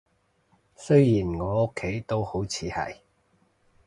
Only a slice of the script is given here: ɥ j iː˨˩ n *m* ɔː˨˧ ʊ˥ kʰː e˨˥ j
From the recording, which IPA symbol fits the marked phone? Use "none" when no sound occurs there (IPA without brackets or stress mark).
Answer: ŋ